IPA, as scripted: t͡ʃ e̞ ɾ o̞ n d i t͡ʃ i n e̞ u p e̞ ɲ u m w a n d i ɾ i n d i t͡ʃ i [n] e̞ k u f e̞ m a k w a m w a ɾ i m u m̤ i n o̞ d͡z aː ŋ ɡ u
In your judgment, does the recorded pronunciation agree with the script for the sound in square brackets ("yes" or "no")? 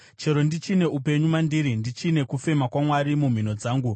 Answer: yes